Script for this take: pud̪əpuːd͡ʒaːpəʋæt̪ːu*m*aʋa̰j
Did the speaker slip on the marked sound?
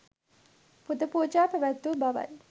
yes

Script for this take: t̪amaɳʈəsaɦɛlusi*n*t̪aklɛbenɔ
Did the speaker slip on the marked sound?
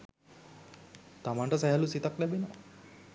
yes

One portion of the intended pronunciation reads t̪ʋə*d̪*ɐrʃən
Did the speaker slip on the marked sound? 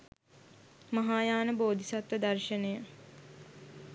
no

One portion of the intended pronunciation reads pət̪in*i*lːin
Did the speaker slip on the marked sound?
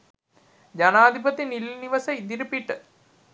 no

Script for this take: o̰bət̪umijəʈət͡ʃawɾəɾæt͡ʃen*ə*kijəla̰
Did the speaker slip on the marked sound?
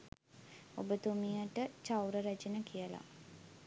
no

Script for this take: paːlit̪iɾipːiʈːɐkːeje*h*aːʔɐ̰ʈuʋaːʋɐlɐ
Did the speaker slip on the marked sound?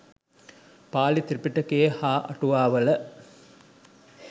no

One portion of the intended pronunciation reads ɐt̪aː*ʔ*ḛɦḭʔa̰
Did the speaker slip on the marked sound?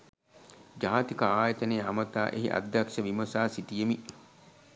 no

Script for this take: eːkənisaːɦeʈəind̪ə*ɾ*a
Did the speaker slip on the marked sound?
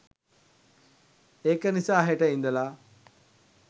yes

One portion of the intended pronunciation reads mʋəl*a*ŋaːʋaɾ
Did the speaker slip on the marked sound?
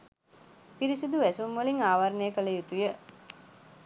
yes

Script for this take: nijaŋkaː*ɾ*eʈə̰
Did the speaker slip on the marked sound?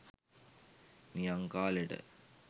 yes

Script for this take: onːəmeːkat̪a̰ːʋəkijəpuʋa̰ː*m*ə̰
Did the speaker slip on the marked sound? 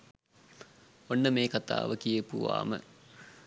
no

